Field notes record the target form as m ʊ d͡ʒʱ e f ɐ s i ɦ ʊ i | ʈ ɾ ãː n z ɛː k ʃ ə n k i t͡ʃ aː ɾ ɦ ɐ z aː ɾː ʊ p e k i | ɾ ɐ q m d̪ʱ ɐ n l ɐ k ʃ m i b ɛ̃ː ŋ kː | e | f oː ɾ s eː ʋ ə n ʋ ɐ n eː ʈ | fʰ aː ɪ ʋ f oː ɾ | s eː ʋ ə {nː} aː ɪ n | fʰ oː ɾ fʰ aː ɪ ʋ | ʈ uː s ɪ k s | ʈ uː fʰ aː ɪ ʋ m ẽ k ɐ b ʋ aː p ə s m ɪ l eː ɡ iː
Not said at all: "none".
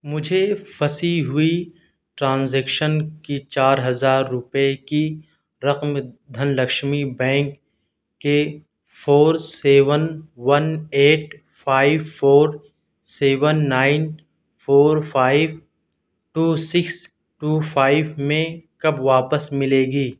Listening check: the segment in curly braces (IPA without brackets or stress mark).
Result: nː